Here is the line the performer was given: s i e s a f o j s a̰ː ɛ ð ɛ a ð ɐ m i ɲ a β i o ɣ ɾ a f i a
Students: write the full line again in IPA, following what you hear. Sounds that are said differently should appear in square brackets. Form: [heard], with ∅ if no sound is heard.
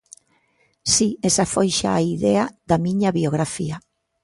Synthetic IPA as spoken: s i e s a f o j [ʃ] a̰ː [i] ð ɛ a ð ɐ m i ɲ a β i o ɣ ɾ a f i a